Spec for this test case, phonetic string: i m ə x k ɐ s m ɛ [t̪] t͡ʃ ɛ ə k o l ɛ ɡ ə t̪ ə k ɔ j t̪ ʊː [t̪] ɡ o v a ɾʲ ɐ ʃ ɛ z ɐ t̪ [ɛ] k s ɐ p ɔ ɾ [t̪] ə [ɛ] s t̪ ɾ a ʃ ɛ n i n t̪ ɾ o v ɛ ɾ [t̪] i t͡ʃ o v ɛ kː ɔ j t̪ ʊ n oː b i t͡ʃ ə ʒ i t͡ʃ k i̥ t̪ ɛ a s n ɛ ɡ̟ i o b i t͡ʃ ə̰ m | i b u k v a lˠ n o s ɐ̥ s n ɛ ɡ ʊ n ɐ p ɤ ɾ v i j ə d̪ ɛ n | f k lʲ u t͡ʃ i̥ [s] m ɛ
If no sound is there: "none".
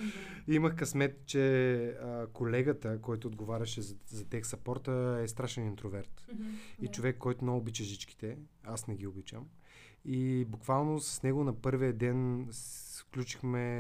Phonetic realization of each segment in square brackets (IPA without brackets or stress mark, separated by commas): t̪, d̪, ɛ, t̪, ɛ, t̪, x